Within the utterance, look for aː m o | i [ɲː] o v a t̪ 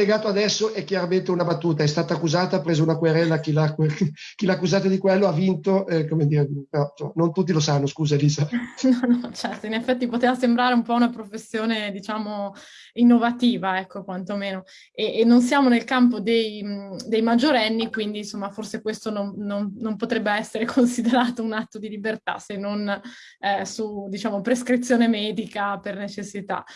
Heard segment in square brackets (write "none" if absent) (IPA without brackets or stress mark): nː